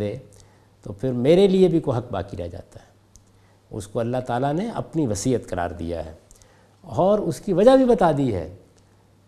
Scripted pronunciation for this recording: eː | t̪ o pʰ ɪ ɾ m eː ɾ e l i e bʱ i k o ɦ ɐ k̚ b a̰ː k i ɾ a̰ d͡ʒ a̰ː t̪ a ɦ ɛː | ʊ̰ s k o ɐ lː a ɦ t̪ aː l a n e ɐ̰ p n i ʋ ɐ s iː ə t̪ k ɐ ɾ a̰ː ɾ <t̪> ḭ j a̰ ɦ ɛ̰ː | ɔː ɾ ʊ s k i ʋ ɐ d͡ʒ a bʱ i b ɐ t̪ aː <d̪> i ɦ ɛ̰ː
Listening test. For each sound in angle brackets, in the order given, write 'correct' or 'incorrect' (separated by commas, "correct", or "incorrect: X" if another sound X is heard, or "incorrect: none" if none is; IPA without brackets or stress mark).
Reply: incorrect: d̪, correct